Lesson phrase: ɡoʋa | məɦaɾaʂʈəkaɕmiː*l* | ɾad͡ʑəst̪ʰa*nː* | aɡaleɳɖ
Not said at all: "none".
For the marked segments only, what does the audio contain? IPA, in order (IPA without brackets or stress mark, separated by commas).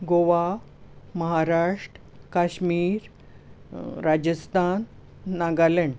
ɾ, nː